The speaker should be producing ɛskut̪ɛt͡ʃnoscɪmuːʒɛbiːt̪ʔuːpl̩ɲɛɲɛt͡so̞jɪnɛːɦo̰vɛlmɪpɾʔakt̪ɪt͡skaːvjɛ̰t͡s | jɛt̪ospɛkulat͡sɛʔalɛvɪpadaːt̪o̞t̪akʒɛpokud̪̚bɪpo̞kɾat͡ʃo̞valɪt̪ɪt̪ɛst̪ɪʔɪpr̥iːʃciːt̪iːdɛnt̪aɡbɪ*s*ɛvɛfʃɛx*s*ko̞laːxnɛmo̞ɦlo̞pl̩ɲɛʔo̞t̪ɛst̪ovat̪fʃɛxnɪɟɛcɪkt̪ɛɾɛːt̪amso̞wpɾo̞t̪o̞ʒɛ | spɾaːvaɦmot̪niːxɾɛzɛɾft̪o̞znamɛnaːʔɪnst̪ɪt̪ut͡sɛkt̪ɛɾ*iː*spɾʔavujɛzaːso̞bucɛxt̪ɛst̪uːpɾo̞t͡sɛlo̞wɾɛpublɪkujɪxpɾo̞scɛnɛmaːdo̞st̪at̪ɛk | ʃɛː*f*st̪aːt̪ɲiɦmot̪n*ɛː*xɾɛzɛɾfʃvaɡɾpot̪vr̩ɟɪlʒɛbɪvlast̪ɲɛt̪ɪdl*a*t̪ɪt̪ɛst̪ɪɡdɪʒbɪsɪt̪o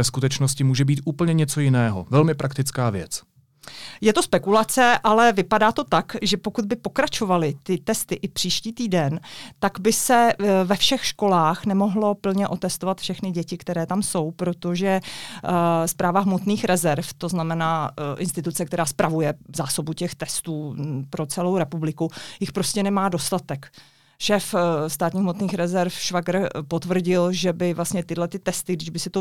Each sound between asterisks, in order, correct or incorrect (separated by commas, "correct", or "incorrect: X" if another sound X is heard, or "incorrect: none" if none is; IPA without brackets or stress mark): correct, incorrect: ʃ, incorrect: aː, correct, incorrect: iː, incorrect: ɛ